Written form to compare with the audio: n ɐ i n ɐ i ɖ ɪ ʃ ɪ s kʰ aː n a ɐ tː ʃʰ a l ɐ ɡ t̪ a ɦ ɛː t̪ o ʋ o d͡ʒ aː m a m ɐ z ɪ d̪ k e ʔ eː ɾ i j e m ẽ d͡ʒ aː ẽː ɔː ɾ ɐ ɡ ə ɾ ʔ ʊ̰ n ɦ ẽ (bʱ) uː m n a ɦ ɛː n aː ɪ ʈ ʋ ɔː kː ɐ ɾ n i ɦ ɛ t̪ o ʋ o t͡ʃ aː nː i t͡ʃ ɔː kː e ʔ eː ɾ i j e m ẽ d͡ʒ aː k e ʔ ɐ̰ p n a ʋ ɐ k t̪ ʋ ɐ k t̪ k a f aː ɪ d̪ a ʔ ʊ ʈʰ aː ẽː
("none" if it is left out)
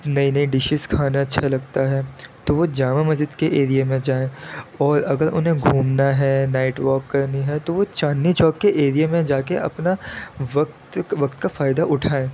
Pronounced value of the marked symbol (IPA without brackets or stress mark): ɡʱ